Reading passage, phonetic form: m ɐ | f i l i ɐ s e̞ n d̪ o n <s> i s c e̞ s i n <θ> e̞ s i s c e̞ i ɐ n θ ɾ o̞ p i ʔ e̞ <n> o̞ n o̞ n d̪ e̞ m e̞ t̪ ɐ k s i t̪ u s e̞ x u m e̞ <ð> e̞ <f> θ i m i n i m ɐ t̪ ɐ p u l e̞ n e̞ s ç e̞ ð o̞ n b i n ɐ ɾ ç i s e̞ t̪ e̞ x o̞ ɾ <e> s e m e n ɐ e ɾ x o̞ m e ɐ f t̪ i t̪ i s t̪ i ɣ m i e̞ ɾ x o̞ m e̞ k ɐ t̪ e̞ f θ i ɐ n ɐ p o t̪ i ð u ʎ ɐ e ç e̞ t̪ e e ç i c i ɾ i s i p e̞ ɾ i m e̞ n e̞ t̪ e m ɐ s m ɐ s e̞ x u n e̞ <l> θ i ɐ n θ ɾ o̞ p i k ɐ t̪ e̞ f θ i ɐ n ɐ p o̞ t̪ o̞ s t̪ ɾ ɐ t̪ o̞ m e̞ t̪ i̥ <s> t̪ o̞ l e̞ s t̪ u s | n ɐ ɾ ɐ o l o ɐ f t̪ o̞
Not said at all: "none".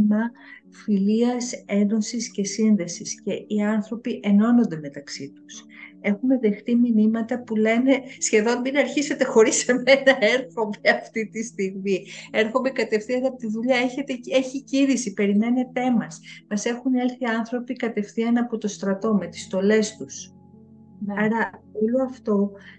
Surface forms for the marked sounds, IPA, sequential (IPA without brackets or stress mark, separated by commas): s, ð, n, ð, x, i, l, s